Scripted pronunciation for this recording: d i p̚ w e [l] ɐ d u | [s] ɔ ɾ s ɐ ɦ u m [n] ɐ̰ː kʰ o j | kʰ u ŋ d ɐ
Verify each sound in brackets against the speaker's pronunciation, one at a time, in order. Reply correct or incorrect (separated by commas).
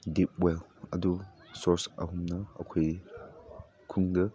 correct, correct, correct